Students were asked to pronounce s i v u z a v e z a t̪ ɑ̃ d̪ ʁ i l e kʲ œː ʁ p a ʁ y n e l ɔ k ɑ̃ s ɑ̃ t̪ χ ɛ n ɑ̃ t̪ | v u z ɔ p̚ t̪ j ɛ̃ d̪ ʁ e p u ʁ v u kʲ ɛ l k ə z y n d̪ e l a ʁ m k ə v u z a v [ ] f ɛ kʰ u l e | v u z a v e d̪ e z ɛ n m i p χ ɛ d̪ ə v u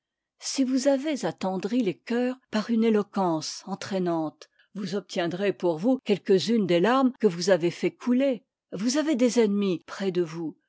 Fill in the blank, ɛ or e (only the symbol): e